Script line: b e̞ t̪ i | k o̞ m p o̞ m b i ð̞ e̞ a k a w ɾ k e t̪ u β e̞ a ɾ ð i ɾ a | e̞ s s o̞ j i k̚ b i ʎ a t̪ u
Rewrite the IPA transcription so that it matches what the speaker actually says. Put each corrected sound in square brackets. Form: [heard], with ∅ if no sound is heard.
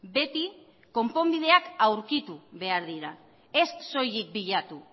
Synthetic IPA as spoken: b e̞ t̪ i | k o̞ m p o̞ m b i ð̞ e̞ a k a w ɾ k [i] t̪ u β e̞ a ɾ ð i ɾ a | e̞ s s o̞ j i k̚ b i ʎ a t̪ u